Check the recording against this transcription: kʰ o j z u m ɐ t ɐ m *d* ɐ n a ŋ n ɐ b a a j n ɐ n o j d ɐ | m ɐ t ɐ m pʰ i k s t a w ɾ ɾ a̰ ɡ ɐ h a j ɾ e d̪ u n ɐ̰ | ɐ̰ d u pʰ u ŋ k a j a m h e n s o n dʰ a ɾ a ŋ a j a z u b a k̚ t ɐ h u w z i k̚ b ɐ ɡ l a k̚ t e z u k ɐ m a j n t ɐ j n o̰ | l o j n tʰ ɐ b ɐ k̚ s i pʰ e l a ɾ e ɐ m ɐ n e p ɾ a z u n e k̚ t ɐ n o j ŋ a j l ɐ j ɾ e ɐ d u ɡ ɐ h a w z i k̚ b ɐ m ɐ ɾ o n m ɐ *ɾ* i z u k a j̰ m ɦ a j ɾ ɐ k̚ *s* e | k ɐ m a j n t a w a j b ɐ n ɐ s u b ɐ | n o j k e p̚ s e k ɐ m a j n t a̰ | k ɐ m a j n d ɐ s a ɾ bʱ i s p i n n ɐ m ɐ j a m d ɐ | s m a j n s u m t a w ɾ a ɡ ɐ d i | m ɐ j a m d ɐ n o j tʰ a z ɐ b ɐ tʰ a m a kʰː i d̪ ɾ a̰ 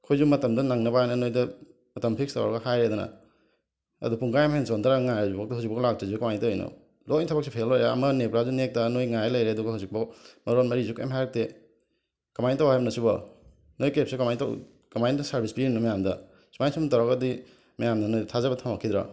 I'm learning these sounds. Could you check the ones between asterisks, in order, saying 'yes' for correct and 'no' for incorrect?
yes, yes, no

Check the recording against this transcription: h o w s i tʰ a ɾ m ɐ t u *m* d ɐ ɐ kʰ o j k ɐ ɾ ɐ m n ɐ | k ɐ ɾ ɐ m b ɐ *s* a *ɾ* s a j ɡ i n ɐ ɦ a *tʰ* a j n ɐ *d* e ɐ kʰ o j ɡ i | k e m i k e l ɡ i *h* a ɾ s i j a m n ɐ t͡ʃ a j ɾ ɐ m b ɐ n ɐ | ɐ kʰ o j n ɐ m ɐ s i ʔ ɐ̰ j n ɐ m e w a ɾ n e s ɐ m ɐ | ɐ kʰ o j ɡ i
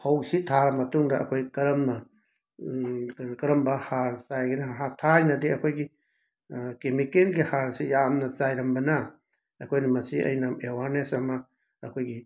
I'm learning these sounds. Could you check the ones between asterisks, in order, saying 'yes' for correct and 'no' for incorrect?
no, no, yes, yes, yes, yes

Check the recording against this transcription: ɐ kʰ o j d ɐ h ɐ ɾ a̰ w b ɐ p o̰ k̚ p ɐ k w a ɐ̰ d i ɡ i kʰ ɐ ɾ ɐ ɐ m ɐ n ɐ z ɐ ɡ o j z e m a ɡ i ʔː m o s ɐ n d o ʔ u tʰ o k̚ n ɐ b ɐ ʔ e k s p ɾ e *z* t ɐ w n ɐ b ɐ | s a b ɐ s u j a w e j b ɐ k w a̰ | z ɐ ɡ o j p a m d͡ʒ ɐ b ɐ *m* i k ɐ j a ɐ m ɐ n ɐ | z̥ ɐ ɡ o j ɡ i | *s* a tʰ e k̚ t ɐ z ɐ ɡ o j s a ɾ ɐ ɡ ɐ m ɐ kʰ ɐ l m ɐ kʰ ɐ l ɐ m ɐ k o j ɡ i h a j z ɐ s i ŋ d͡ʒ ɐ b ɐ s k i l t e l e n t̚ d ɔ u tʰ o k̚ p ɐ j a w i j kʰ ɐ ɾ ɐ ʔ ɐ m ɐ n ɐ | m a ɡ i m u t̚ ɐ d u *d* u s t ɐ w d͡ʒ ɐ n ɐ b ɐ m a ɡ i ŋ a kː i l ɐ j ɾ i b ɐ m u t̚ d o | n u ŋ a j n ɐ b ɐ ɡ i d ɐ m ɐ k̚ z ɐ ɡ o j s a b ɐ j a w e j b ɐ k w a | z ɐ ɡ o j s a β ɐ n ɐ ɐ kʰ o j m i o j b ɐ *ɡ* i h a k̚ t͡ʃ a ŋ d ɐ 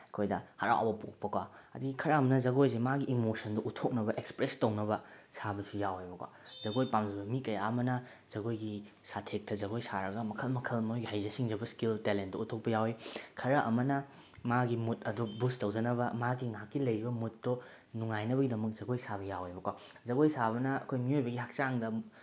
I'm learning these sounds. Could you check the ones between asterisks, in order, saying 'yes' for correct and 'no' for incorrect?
no, yes, yes, no, yes

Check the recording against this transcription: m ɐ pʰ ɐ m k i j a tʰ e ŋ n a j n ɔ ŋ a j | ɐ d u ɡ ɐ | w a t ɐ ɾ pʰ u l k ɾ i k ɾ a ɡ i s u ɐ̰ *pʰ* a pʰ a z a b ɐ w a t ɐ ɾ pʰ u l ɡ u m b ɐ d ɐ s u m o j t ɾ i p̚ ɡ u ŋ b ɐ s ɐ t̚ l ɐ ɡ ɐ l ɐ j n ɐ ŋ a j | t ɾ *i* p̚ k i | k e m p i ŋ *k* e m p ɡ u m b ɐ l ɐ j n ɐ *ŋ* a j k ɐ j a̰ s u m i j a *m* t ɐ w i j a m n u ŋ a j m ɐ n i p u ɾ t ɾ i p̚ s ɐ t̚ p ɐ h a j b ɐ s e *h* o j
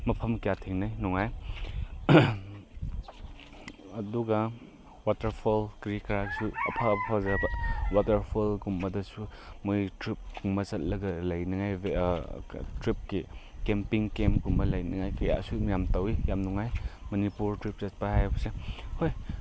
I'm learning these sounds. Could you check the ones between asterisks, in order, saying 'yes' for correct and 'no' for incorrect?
yes, yes, yes, yes, yes, yes

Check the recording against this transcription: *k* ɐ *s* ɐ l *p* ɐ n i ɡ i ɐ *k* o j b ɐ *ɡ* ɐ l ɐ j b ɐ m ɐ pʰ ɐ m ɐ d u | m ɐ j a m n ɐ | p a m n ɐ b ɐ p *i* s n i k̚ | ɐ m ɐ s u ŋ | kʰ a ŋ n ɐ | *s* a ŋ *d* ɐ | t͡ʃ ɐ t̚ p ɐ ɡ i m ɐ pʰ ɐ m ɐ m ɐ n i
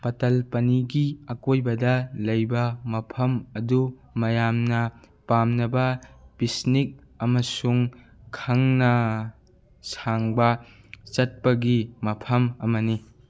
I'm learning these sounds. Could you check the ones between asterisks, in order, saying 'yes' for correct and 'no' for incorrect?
no, no, yes, yes, no, yes, yes, no

